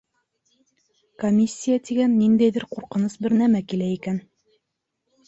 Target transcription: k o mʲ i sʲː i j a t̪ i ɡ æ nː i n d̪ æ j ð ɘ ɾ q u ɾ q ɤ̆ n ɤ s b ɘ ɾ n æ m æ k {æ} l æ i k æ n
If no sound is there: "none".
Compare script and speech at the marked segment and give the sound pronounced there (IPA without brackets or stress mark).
i